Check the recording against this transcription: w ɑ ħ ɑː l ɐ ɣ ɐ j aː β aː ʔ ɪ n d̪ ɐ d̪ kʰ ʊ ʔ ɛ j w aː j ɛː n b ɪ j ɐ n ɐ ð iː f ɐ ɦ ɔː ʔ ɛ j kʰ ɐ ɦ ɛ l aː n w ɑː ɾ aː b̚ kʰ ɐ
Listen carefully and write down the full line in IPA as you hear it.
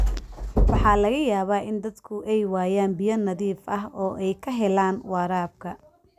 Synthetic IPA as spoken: w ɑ ħ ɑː l ɐ ɣ ɐ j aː β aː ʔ ɪ n d̪ ɐ d̪ kʰ ʊ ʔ ɛ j w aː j aː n b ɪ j ɐ n ɐ ð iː f ɐ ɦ ɔː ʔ ɛ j kʰ ɐ ɦ ɛ l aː n w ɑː ɾ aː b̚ kʰ ɐ